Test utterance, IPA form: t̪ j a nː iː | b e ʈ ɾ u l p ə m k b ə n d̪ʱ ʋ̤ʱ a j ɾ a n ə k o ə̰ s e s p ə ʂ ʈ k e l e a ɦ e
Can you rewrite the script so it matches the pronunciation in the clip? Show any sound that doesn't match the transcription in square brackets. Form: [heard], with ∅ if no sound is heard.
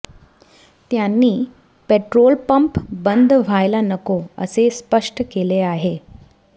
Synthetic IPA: t̪ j a nː iː | [p] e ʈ ɾ [o] l p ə m [p] b ə n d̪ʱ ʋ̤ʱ a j [l] a n ə k o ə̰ s e s p ə ʂ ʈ k e l e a ɦ e